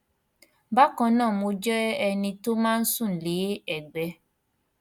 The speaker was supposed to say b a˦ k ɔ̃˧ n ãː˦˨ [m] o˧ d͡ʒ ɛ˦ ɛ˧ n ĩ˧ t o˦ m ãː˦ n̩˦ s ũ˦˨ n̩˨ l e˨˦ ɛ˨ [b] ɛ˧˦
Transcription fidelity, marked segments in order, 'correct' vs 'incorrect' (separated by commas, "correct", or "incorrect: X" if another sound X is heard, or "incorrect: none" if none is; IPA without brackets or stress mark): correct, incorrect: ɡ͡b